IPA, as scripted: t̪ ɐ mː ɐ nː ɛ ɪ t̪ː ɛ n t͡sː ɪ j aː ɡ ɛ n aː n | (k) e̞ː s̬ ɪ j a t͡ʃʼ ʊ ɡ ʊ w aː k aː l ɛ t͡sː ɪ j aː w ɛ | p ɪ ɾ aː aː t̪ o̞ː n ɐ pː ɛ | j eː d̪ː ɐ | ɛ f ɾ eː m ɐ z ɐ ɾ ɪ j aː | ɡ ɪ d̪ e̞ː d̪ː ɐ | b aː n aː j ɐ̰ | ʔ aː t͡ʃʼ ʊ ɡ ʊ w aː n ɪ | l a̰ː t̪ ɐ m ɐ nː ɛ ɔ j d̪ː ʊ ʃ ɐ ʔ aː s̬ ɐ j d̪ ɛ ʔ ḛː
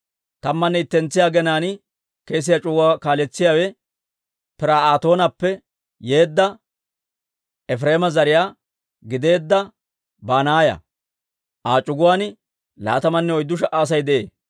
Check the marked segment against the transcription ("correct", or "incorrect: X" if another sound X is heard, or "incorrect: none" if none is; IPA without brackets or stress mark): correct